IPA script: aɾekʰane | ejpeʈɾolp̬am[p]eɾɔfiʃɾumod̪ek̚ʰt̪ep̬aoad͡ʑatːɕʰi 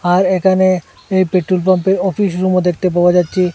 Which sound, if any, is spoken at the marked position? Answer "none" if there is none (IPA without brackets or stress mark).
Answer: p